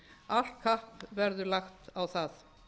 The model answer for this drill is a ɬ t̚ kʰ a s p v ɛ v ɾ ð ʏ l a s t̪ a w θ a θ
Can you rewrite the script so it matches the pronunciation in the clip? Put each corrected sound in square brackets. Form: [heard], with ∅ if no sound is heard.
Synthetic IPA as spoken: a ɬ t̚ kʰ a [h] p v ɛ [∅] ɾ ð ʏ l a [x] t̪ a w θ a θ